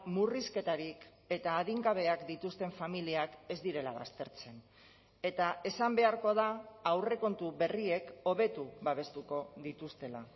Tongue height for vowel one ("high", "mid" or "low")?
high